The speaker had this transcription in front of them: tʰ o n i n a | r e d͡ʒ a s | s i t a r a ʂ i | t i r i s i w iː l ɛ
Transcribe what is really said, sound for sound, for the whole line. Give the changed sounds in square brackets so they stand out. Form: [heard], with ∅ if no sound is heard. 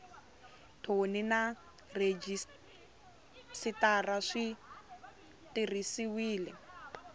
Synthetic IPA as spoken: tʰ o n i n a | r e d͡ʒ [i] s | s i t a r a ʂ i | t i r i s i w iː l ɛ